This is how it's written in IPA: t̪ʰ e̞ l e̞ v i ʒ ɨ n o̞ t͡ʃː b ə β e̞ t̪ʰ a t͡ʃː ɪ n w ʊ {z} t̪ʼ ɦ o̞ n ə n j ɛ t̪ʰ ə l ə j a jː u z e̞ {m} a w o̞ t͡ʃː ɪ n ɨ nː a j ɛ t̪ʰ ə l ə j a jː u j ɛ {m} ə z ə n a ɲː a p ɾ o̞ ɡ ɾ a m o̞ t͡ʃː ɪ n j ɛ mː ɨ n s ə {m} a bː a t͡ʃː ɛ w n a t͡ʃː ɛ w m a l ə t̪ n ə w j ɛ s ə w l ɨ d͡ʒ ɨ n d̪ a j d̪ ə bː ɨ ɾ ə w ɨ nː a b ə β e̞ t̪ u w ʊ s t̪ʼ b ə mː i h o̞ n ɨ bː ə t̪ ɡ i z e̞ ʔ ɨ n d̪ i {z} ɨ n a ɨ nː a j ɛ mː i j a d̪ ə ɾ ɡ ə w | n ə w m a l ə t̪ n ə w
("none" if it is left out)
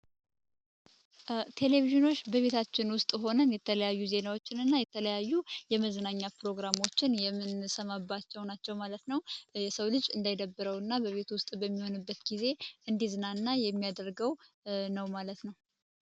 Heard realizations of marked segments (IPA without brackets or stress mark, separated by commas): s, n, m, m, z